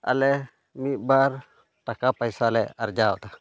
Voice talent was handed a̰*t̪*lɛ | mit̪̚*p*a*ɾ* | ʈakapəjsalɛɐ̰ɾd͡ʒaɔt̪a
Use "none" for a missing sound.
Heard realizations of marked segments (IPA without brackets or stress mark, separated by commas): none, b, ɾ